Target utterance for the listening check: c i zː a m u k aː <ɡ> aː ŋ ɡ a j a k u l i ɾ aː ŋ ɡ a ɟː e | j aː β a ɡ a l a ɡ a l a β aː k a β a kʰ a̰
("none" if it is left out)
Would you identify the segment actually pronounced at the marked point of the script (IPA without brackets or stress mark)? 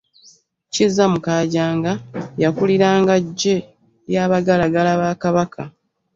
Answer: ɟ